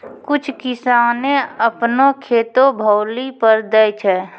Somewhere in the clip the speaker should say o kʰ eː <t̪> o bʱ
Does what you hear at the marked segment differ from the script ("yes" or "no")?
no